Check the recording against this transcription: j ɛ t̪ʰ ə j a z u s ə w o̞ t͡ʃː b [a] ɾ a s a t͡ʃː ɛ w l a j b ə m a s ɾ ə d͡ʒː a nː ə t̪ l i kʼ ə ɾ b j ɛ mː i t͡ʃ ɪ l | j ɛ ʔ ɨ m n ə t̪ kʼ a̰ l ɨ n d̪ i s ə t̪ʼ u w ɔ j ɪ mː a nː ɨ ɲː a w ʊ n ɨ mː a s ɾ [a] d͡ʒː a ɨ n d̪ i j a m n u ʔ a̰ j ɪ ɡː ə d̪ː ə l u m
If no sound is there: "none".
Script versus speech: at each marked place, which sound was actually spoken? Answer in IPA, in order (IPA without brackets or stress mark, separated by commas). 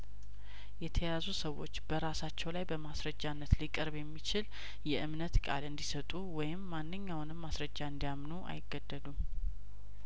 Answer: ə, ə